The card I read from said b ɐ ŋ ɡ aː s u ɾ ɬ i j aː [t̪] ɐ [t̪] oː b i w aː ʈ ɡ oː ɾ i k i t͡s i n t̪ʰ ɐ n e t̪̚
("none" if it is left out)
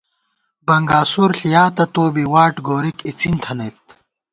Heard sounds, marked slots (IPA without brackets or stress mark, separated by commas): t̪, t̪